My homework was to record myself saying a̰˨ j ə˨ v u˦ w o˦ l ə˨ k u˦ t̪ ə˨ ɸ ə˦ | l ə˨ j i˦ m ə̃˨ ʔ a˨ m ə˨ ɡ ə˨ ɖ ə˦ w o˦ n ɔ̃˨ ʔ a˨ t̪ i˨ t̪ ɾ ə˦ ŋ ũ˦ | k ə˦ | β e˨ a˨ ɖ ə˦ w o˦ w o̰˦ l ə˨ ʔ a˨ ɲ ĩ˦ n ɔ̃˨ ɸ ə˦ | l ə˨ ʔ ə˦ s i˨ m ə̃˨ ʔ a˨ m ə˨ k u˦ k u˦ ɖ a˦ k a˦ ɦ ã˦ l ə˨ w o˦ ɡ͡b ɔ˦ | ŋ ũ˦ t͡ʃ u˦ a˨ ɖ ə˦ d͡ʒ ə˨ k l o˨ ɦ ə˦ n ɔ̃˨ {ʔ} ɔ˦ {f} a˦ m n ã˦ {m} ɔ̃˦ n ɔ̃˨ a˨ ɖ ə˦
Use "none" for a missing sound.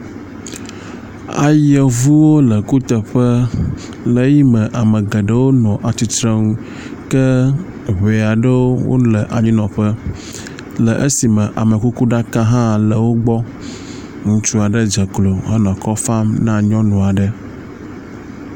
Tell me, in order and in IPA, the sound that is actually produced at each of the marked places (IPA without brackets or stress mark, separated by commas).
k, f, ɲ